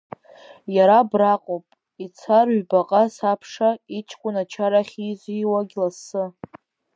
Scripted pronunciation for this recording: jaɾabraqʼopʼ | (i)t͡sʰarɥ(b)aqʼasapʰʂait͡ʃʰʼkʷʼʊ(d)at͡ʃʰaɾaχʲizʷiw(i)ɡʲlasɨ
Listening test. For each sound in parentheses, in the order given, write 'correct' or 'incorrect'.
correct, correct, incorrect, incorrect

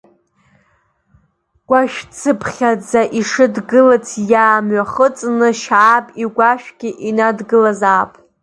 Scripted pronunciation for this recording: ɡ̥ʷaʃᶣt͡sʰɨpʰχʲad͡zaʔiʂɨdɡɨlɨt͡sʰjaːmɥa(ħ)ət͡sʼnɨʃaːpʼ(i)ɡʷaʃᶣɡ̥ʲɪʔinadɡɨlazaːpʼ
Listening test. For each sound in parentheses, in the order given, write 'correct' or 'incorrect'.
incorrect, correct

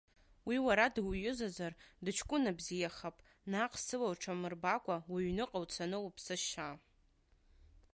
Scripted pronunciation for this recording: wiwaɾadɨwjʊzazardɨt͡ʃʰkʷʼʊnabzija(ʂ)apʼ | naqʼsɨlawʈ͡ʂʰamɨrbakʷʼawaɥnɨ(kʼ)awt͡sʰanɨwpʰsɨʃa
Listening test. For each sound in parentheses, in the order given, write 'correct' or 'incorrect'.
incorrect, incorrect

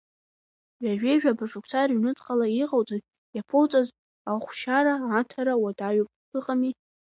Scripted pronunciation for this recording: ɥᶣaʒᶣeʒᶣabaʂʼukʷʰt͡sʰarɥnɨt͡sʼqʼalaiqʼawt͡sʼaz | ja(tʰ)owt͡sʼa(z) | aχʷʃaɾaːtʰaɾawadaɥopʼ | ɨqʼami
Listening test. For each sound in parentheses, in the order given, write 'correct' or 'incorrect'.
incorrect, correct

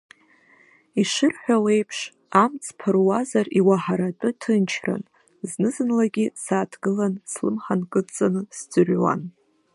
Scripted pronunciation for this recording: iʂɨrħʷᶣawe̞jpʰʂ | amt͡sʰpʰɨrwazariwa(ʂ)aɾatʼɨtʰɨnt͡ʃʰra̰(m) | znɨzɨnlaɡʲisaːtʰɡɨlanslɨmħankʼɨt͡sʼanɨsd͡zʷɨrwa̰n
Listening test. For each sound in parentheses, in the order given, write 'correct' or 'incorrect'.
incorrect, incorrect

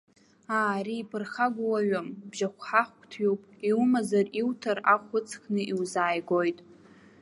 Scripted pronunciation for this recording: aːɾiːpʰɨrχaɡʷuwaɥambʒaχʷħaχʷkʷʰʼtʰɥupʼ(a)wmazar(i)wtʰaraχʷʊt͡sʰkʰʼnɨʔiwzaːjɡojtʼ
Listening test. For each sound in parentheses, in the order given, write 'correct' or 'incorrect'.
incorrect, correct

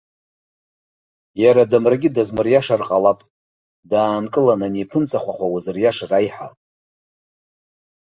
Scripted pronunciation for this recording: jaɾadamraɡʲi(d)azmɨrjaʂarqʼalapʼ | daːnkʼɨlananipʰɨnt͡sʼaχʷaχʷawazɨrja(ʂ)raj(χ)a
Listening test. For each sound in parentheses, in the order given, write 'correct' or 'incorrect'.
correct, correct, incorrect

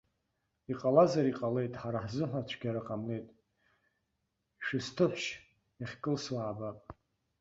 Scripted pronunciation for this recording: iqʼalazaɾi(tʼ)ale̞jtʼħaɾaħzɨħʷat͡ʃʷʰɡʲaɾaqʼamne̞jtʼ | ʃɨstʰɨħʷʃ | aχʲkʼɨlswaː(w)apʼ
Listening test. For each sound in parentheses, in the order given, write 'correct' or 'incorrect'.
incorrect, incorrect

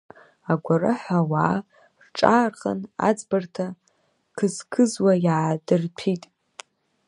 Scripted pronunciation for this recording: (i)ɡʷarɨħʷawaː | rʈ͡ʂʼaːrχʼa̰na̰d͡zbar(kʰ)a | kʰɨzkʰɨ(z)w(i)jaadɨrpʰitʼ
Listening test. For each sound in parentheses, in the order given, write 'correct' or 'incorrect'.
incorrect, incorrect, correct, incorrect

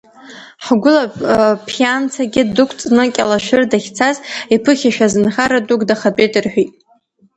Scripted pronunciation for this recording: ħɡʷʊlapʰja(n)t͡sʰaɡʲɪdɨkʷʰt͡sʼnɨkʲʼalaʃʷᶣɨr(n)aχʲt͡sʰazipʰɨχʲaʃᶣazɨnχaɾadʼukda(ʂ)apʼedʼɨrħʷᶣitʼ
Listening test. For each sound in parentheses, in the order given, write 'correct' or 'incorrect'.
correct, incorrect, incorrect

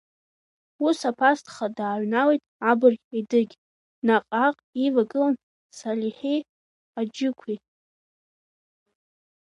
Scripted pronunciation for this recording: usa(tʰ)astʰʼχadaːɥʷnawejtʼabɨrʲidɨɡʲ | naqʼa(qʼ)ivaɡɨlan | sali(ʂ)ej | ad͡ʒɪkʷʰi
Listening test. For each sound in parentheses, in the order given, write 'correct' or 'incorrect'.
incorrect, correct, incorrect

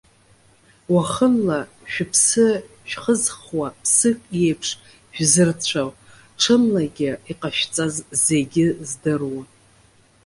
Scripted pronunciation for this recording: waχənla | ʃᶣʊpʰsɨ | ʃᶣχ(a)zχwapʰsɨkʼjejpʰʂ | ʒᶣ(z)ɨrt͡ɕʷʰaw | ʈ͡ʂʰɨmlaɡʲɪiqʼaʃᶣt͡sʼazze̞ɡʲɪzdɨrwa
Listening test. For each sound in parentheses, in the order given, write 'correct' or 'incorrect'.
incorrect, correct

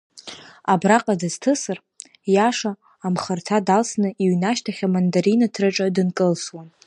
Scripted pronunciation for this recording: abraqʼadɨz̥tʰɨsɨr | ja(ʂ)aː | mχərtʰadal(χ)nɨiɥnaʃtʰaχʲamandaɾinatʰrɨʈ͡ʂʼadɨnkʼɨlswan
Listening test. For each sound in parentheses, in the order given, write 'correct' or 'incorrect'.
correct, incorrect

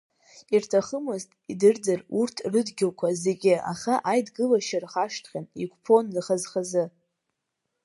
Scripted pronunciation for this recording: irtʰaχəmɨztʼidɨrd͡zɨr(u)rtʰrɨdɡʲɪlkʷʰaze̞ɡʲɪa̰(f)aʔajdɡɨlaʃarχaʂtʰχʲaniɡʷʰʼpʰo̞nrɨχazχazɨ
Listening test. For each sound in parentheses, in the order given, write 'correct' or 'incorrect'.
correct, incorrect

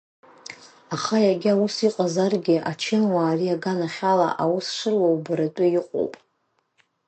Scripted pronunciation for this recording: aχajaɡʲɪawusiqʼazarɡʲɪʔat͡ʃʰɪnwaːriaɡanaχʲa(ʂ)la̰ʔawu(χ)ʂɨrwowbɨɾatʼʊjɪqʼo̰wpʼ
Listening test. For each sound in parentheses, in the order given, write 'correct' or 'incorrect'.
incorrect, incorrect

